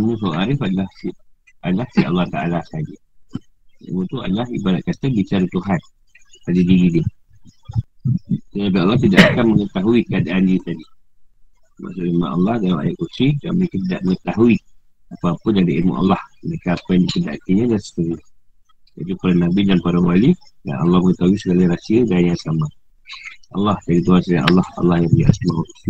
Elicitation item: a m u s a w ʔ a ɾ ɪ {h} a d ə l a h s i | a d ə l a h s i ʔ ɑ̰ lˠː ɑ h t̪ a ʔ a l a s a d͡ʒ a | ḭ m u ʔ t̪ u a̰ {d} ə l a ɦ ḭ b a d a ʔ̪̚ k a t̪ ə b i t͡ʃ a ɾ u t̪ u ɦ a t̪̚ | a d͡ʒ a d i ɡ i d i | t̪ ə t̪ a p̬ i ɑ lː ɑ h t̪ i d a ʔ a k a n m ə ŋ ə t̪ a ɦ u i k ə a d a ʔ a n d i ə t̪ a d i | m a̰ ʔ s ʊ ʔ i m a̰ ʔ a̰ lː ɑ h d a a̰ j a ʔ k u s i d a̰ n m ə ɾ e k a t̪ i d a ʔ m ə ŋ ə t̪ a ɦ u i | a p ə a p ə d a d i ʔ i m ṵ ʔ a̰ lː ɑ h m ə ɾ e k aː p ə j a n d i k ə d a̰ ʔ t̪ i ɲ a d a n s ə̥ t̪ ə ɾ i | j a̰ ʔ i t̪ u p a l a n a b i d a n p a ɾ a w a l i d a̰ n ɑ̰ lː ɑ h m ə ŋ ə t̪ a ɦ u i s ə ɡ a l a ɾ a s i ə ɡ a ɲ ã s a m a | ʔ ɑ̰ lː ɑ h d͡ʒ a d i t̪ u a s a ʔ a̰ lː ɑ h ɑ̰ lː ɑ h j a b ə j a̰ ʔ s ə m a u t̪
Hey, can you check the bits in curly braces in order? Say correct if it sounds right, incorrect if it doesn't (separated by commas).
incorrect, correct